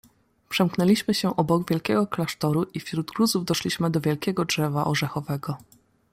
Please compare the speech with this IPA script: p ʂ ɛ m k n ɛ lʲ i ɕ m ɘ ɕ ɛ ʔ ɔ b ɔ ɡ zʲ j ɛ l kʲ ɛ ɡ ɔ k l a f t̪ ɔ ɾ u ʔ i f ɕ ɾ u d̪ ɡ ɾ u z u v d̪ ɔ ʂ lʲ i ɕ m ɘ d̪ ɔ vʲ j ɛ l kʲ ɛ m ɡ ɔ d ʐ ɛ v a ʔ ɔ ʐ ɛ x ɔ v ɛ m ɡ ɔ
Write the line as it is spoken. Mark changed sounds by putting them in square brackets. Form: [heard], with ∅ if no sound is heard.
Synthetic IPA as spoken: p ʂ ɛ m k n ɛ lʲ i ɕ m ɘ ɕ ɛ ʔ ɔ b ɔ ɡ [vʲ] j ɛ l kʲ ɛ ɡ ɔ k l a [ʂ] t̪ ɔ ɾ u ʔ i f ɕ ɾ u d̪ ɡ ɾ u z u v d̪ ɔ ʂ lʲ i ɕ m ɘ d̪ ɔ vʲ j ɛ l kʲ ɛ [∅] ɡ ɔ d ʐ ɛ v a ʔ ɔ ʐ ɛ x ɔ v ɛ [∅] ɡ ɔ